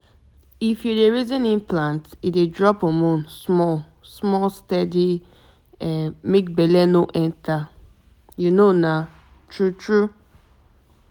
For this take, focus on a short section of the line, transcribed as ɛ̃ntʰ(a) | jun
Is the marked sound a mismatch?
no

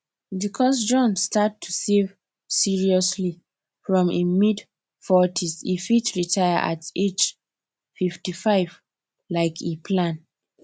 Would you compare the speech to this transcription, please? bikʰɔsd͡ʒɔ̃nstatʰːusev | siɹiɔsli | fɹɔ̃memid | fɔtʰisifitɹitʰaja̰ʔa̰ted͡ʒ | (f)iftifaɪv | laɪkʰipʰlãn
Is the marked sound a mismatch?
no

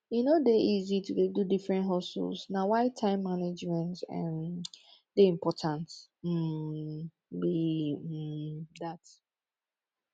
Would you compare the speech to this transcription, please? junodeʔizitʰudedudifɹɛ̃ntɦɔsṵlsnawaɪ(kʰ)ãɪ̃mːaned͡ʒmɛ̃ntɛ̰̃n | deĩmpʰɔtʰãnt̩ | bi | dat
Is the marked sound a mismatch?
yes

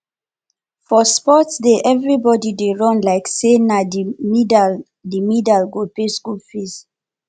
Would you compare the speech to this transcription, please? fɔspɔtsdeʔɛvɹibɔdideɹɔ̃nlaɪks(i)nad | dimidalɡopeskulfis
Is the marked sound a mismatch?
yes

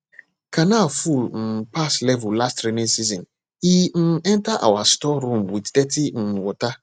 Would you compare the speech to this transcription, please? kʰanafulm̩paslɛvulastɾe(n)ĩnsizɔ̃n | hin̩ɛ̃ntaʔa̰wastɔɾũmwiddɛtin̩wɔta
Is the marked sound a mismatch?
no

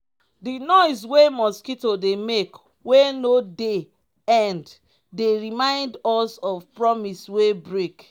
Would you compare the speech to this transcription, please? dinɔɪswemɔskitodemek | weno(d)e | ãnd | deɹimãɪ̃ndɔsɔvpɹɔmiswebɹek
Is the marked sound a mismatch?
no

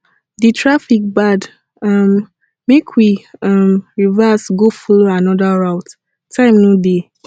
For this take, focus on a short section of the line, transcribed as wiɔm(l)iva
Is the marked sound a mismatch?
yes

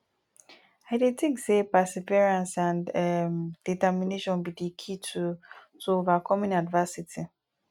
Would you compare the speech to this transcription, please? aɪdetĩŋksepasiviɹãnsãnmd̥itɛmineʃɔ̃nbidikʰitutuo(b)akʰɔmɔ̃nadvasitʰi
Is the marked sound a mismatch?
yes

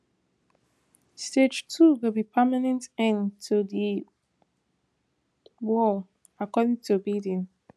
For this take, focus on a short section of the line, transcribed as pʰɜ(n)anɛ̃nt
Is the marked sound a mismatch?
yes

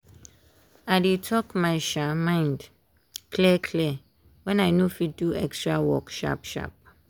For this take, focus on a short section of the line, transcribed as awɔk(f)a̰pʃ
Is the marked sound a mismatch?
yes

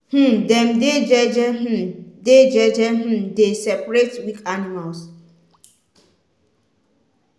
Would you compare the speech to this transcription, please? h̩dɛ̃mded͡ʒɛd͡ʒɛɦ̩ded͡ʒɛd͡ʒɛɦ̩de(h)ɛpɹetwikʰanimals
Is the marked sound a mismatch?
yes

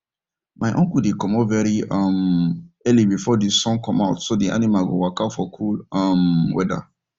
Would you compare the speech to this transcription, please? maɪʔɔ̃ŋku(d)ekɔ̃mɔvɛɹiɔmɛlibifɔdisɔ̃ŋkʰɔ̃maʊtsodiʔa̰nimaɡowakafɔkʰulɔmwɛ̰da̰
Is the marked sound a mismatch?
no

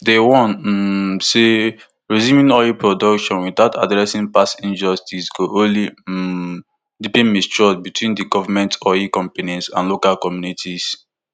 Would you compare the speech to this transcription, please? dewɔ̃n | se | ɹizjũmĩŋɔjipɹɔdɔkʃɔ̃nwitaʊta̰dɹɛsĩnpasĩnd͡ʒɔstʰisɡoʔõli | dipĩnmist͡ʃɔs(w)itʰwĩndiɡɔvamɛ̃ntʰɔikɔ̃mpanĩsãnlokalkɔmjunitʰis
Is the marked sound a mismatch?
yes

